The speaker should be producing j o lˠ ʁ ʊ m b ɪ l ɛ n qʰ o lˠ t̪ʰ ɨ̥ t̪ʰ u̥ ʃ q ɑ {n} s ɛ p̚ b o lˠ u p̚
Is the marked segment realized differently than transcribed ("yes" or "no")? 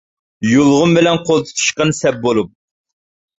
no